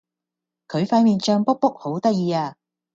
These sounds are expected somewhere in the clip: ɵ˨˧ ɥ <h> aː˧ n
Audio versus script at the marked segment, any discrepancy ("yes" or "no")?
yes